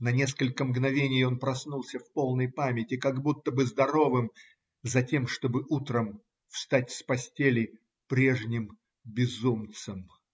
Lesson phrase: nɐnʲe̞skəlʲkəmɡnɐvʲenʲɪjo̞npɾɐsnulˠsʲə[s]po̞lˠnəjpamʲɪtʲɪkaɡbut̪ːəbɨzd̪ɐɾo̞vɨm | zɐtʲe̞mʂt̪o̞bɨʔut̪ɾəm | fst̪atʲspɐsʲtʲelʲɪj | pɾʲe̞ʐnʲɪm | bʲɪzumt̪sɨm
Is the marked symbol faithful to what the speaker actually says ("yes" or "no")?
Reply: no